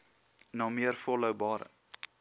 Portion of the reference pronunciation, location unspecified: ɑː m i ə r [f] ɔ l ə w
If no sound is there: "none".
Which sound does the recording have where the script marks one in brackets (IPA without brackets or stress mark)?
f